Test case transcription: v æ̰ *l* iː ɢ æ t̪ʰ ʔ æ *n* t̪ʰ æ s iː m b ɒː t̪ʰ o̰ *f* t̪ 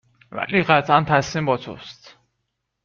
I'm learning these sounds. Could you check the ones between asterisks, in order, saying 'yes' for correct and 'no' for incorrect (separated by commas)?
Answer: yes, yes, no